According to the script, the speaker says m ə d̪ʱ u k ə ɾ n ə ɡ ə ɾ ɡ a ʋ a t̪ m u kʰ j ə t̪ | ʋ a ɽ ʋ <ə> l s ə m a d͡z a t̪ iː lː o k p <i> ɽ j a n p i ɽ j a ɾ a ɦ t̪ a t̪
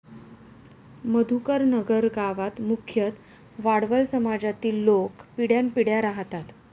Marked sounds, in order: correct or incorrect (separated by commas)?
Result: correct, correct